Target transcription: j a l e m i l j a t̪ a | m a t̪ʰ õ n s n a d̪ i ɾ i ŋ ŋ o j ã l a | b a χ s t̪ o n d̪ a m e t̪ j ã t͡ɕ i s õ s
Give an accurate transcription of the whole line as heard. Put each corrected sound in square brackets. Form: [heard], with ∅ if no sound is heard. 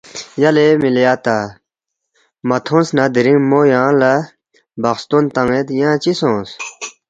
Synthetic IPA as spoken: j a l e m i l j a t̪ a | m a t̪ʰ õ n s n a d̪ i ɾ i ŋ [m] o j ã l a | b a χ s t̪ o n [t̪] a [ŋ] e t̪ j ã t͡ɕ i s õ s